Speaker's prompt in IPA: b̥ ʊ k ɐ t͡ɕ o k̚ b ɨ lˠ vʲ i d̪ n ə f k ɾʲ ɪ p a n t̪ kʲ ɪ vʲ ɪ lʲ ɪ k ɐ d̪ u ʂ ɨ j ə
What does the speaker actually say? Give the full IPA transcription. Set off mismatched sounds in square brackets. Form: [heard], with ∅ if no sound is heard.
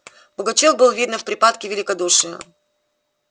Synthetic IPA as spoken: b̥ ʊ [ɡ] ɐ t͡ɕ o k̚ b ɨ lˠ vʲ i d̪ n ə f [p] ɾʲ ɪ p a [∅] t̪ kʲ ɪ vʲ ɪ lʲ ɪ k ɐ d̪ u ʂ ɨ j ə